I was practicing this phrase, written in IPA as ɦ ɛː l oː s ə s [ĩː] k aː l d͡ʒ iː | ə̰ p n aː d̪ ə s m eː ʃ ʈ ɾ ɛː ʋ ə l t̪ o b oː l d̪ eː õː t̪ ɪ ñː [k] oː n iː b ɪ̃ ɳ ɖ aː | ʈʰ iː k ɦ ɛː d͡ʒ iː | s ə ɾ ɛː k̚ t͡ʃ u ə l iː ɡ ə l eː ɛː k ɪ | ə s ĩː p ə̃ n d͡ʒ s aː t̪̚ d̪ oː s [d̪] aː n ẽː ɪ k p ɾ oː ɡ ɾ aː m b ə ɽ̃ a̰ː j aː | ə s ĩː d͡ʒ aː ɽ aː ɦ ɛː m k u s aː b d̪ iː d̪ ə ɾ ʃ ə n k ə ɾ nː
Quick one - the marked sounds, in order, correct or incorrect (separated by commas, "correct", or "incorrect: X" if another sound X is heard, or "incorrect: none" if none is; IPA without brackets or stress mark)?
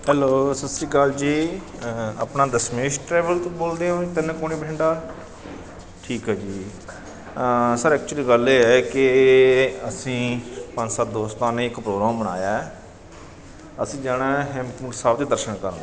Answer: incorrect: iː, correct, incorrect: t̪